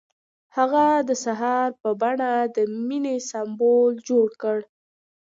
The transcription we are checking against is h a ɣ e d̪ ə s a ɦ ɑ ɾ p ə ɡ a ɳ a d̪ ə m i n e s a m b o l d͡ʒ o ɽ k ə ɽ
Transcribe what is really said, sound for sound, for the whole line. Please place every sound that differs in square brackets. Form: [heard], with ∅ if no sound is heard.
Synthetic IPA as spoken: h a ɣ [a] d̪ ə s a ɦ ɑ ɾ p ə [b] a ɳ a d̪ ə m i n e s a m b o l d͡ʒ o ɽ k ə ɽ

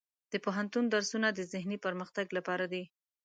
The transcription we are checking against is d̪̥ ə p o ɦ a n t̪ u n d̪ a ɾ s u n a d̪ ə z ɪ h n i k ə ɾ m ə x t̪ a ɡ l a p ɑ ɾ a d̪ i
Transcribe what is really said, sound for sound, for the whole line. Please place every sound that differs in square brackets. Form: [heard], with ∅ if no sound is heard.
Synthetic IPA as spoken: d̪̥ ə p o ɦ a n t̪ u n d̪ a ɾ s u n a d̪ ə z ɪ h n i [p] ə ɾ m ə x t̪ a ɡ l a p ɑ ɾ a d̪ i

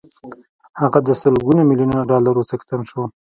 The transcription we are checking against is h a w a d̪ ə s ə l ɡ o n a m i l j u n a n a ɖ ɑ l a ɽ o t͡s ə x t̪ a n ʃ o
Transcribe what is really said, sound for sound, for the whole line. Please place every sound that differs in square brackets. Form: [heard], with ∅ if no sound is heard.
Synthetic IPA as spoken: h a [ɣ] a d̪ ə s ə l ɡ [u] n a m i l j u n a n a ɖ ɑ l a [ɾ] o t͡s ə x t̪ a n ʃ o

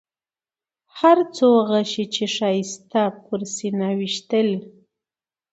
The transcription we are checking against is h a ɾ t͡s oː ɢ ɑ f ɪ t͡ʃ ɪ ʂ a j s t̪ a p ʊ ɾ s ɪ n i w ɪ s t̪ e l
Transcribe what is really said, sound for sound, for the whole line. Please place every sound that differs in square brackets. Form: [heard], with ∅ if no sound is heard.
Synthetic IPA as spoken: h a ɾ t͡s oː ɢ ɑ [ʃ] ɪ t͡ʃ ɪ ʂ a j s t̪ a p ʊ ɾ s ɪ n [a] w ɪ [ʃ] t̪ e l

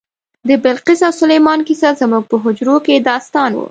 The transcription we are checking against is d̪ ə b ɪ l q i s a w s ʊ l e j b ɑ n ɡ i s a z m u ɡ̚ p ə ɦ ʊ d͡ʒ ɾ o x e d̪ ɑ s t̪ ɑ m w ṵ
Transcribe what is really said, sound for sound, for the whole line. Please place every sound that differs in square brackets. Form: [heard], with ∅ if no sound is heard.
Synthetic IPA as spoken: d̪ ə b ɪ l q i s a w s ʊ l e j [m] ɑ n [k] i s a z m u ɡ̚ p ə ɦ ʊ d͡ʒ ɾ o [k] e d̪ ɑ s t̪ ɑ [n] w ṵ

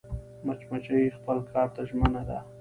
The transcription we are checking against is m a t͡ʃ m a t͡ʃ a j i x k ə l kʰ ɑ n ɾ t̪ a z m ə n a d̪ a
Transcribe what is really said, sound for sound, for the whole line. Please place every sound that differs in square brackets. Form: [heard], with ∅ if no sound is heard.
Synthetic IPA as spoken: m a t͡ʃ m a t͡ʃ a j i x [p] ə l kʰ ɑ [∅] ɾ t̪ a [ʒ] m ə n a d̪ a

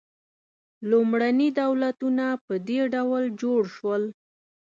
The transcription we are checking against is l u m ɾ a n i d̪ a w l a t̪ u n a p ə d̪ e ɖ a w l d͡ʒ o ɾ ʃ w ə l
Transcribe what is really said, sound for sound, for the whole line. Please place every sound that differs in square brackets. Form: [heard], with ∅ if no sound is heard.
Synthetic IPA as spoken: l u m [ɽ] a n i d̪ a w l a t̪ u n a p ə d̪ e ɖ a w l d͡ʒ o [ɽ] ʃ w ə l

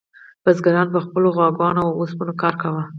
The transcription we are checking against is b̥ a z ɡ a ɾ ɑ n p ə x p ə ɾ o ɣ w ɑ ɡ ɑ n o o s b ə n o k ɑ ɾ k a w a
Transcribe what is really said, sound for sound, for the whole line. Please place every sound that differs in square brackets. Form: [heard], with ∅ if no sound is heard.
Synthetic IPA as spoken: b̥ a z ɡ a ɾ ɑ n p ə x p ə [l] o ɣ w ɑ ɡ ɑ n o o s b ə n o k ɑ ɾ k a w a

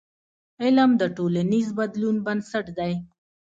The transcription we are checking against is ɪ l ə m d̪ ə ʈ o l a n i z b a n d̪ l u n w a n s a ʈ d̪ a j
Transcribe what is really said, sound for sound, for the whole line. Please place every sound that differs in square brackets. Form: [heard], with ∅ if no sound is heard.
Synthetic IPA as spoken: ɪ l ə m d̪ ə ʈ o l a n i z b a [∅] d̪ l u n [b] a n s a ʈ d̪ a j

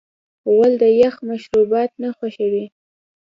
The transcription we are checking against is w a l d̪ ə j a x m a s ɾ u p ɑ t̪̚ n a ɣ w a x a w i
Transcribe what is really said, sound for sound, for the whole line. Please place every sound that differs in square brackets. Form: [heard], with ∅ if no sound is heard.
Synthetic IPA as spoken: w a l d̪ ə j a x m a [ʃ] ɾ u [b] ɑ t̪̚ n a [x] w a [ʃ] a w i

